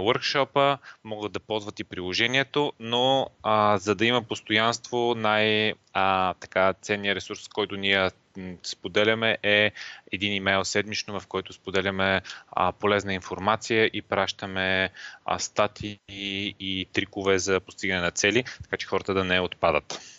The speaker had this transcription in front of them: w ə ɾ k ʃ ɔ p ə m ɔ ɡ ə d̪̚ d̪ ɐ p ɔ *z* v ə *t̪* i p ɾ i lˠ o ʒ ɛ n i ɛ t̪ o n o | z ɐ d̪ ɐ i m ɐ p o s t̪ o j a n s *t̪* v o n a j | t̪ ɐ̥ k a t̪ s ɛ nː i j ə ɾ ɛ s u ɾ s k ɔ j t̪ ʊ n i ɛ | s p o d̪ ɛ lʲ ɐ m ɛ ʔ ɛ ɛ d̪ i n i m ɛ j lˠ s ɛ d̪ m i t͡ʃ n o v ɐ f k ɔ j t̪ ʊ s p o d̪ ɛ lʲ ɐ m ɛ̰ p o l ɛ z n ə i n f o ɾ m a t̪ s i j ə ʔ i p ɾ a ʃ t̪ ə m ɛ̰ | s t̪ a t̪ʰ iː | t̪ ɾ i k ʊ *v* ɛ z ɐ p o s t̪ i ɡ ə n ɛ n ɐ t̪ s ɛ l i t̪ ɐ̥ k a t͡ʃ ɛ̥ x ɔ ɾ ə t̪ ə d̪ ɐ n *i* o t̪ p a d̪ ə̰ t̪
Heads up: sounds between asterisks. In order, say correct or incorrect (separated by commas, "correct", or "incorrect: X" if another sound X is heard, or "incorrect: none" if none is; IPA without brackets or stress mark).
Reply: correct, correct, correct, correct, incorrect: ɛ